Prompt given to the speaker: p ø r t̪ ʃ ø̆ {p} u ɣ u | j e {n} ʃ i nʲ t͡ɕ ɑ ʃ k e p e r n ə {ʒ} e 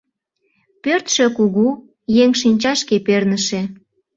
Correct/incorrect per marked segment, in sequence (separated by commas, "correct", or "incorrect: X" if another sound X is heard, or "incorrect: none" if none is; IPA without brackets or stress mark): incorrect: k, incorrect: ŋ, incorrect: ʃ